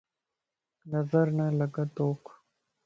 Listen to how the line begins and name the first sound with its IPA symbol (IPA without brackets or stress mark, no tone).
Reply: n